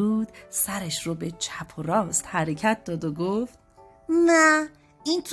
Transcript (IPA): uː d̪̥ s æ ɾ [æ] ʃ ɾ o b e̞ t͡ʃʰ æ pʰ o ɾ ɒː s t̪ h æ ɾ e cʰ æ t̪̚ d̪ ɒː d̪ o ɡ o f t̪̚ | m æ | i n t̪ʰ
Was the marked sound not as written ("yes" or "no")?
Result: yes